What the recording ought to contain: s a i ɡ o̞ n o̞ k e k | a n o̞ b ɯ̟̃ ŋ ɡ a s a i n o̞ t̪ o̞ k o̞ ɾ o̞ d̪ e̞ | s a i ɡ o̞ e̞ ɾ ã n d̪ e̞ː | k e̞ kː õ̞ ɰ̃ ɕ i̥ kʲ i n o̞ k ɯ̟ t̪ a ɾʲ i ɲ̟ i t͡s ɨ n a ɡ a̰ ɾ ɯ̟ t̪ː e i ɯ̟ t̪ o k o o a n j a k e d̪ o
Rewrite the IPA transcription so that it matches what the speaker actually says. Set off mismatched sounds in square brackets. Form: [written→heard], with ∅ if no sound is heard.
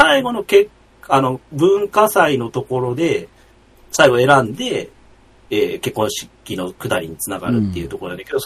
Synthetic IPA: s a i ɡ o̞ n o̞ k e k | a n o̞ b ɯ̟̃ ŋ [ɡ→k] a s a i n o̞ t̪ o̞ k o̞ ɾ o̞ d̪ e̞ | s a i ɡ o̞ e̞ ɾ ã n d̪ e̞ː | k e̞ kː õ̞ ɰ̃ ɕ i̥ kʲ i n o̞ k ɯ̟ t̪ a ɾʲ i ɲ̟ i t͡s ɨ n a ɡ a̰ ɾ ɯ̟ t̪ː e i ɯ̟ t̪ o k o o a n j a k e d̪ o